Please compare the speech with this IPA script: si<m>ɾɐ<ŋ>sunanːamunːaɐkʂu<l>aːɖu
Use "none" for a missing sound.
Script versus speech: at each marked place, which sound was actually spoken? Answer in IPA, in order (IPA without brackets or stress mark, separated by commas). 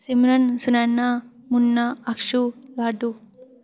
m, n, l